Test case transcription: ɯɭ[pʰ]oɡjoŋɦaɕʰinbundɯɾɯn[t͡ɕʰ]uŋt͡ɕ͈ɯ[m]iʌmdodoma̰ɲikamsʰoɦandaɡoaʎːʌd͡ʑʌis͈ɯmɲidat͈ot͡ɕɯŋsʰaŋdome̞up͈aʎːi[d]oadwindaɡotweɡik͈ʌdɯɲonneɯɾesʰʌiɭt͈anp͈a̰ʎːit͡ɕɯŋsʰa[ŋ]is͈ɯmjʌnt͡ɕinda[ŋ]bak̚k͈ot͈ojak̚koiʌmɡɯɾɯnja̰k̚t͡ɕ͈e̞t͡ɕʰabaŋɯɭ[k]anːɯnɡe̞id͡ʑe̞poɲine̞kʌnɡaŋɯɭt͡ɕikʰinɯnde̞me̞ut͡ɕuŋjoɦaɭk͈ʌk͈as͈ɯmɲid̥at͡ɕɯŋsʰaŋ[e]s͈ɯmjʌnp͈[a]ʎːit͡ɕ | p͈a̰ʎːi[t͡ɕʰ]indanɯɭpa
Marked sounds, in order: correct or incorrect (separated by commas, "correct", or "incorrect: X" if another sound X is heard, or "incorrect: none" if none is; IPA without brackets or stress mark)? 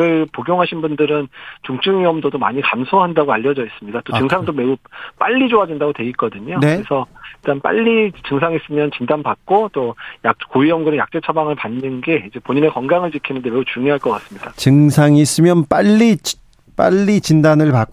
incorrect: p, incorrect: t͡ɕ, incorrect: ŋ, incorrect: d͡ʑ, correct, incorrect: n, incorrect: p, incorrect: i, correct, incorrect: t͡ɕ